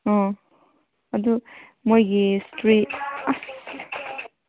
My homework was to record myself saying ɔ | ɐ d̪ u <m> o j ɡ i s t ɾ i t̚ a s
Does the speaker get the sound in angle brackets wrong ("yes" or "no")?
no